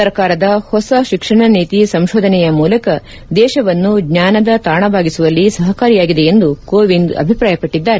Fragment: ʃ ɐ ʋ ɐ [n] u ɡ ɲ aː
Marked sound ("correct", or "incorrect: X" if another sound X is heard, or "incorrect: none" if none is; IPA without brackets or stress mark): incorrect: nː